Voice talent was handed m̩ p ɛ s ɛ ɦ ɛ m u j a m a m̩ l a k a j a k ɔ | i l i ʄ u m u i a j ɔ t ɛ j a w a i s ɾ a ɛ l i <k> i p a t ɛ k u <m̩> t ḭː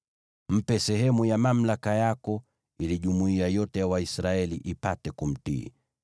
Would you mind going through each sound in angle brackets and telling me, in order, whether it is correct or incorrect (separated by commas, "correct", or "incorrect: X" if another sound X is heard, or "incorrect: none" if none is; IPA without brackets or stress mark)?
incorrect: ʔ, correct